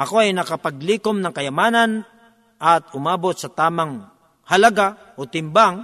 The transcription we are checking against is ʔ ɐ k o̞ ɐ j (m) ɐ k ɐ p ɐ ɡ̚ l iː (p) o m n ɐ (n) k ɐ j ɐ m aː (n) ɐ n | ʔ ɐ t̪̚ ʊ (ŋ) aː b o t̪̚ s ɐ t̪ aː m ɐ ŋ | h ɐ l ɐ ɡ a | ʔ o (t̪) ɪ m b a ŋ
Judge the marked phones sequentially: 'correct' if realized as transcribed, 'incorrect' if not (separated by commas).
incorrect, incorrect, incorrect, correct, incorrect, correct